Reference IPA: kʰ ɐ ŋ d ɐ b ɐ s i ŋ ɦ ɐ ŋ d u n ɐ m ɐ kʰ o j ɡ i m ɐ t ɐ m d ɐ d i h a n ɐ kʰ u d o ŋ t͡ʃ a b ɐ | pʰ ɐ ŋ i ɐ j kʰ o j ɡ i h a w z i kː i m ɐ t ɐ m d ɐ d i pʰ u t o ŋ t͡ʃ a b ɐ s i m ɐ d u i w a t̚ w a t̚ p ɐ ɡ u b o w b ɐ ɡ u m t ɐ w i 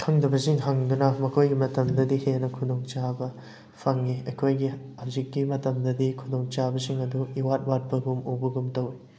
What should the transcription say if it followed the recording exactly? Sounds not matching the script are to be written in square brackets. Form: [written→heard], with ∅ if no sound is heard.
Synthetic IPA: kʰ ɐ ŋ d ɐ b ɐ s i ŋ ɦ ɐ ŋ d u n ɐ m ɐ kʰ o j ɡ i m ɐ t ɐ m d ɐ d i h [a→e] n ɐ kʰ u d o ŋ t͡ʃ a b ɐ | pʰ ɐ ŋ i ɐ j kʰ o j ɡ i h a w z i kː i m ɐ t ɐ m d ɐ d i [pʰ→kʰ] u [t→d] o ŋ t͡ʃ a b ɐ s i [m→ŋ] ɐ d u i w a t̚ w a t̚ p ɐ ɡ u [b→m] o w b ɐ ɡ u m t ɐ w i